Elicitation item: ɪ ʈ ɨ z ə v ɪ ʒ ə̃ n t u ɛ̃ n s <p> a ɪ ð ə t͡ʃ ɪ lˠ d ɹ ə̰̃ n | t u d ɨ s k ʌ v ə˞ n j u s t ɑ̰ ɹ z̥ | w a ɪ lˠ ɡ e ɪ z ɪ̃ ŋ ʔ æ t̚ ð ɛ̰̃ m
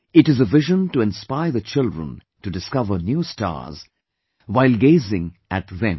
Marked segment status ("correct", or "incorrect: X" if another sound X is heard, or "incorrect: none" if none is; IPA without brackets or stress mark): correct